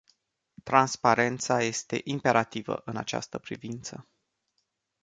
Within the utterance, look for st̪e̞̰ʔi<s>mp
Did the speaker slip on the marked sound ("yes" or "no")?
yes